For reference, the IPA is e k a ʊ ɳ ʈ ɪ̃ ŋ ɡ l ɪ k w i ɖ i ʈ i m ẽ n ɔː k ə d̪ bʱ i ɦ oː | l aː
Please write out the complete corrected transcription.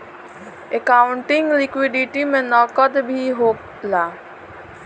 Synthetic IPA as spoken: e k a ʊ ɳ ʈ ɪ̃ ŋ ɡ l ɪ k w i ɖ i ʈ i m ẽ n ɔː k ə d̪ bʱ i ɦ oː | l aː